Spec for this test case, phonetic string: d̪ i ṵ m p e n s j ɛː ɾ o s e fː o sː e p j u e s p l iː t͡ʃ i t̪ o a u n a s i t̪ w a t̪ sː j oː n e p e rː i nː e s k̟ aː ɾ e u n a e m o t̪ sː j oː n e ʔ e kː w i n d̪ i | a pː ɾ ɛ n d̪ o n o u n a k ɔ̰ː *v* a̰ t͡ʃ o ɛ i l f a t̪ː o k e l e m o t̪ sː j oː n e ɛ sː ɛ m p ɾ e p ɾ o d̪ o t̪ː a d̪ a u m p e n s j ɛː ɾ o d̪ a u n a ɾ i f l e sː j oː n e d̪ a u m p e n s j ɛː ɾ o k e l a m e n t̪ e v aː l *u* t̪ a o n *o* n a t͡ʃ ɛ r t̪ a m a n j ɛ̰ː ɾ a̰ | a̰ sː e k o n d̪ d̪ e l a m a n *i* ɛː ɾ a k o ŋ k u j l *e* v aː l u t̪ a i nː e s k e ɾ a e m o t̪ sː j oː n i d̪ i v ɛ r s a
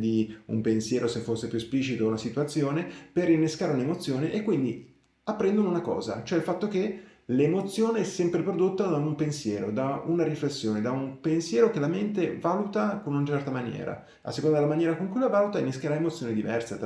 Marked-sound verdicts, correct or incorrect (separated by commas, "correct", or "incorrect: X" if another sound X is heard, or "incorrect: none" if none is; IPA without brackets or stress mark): incorrect: z, correct, incorrect: u, incorrect: j, incorrect: a